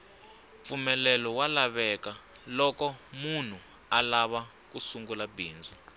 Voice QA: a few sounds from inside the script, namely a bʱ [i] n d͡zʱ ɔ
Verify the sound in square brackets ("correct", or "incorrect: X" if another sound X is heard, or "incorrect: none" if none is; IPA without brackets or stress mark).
incorrect: iː